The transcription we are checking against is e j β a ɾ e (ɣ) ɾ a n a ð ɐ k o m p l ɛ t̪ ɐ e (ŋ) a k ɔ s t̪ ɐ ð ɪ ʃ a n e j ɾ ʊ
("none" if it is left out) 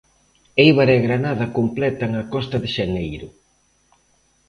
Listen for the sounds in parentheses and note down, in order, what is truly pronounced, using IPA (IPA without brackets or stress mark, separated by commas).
ɣ, ŋ